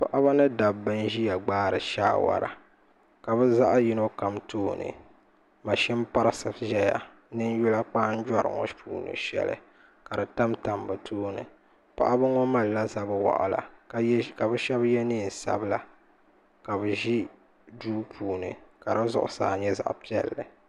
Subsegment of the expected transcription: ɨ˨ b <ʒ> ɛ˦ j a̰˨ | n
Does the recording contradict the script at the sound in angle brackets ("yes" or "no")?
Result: no